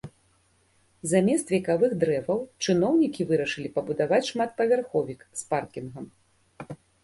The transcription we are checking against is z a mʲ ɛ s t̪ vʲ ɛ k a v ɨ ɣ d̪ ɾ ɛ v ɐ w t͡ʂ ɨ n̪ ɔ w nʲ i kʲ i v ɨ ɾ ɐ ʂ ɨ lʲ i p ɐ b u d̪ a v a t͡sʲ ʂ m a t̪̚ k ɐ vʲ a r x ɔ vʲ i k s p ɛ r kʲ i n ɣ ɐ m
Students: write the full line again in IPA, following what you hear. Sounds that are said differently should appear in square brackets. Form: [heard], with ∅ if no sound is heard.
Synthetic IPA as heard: z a mʲ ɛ s t̪ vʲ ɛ k a v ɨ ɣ d̪ ɾ ɛ v ɐ w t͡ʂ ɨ n̪ ɔ w nʲ i kʲ i v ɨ ɾ ɐ ʂ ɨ lʲ i p ɐ b u d̪ a v a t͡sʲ ʂ m a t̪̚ [p] ɐ vʲ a r x ɔ vʲ i k s p [a] r kʲ i n ɣ ɐ m